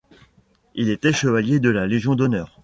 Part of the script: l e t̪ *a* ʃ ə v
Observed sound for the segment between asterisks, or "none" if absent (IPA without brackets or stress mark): ɛ